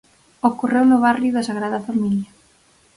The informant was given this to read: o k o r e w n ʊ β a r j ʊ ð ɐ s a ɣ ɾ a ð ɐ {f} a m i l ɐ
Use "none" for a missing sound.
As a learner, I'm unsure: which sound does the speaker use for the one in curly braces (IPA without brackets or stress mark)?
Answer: f